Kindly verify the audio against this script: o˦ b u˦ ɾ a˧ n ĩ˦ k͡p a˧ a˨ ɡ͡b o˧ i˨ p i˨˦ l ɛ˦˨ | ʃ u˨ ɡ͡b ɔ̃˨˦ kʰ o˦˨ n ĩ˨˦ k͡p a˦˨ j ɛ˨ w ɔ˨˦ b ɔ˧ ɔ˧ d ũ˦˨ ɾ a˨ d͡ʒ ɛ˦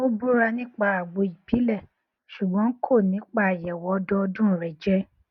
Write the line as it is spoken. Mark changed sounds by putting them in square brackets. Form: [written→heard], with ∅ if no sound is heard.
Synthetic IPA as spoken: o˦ b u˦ ɾ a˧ n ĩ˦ k͡p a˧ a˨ ɡ͡b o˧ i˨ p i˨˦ l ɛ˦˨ | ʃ u˨ ɡ͡b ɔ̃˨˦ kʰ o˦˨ n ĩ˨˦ k͡p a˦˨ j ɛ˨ w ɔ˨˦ [b→d] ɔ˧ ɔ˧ d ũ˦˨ ɾ [a˨→ɛ˨] d͡ʒ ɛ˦